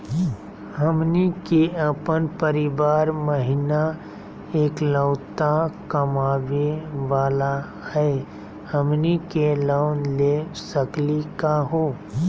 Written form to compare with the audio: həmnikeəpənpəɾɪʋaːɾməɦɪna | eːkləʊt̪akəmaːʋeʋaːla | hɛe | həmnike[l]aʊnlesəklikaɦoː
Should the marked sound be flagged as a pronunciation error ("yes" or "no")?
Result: no